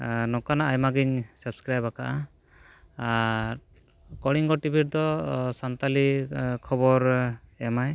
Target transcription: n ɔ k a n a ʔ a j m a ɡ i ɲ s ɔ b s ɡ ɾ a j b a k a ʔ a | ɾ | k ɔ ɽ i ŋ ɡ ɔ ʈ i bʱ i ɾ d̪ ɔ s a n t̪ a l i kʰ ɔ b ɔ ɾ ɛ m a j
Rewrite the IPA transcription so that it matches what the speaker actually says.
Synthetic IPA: n ɔ k a n a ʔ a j m a ɡ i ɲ s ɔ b s k ɾ a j b a k a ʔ a | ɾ | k ɔ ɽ i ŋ ɡ ɔ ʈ i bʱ i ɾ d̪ ɔ s a n t̪ a l i kʰ ɔ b ɔ ɾ ɛ m a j